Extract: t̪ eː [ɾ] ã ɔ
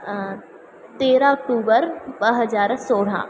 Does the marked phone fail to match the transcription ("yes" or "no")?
no